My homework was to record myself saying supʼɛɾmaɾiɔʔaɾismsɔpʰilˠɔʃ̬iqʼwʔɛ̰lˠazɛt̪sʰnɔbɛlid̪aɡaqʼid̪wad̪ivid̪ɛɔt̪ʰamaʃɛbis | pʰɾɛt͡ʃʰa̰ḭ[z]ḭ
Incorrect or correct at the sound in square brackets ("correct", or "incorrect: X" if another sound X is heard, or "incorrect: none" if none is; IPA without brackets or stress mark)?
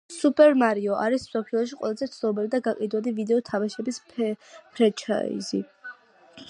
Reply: correct